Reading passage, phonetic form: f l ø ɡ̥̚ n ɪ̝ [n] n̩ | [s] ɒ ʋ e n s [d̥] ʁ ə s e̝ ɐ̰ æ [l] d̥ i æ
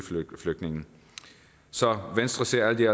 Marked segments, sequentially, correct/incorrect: incorrect: ŋ, correct, correct, correct

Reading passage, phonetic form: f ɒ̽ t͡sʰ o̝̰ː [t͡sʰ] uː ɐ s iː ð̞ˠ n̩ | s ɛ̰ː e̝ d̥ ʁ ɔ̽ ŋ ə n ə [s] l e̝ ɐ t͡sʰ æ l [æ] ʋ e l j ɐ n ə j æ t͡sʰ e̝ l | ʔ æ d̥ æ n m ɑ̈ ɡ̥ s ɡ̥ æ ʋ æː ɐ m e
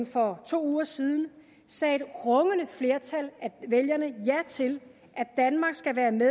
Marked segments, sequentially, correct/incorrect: incorrect: none, incorrect: f, correct

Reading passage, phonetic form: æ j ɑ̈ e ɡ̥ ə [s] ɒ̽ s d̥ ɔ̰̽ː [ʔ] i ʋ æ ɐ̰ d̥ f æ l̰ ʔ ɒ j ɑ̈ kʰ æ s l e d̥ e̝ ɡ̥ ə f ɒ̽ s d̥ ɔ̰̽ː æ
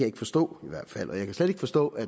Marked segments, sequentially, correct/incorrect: incorrect: f, incorrect: none

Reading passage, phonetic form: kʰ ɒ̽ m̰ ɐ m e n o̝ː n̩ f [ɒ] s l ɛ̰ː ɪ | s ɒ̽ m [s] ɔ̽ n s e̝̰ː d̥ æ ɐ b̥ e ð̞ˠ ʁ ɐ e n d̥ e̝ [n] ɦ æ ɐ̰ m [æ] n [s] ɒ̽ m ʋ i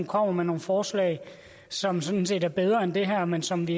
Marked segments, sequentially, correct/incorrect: incorrect: ɒː, correct, incorrect: none, incorrect: e, correct

